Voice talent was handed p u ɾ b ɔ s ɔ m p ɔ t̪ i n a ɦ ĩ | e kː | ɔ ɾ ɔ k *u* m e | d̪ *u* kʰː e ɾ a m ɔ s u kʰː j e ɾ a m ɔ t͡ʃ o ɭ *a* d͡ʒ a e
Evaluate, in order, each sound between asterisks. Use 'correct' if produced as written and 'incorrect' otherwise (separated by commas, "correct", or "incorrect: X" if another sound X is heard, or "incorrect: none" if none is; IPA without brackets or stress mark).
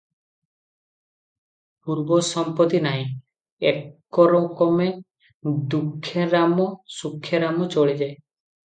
incorrect: ɔ, correct, incorrect: i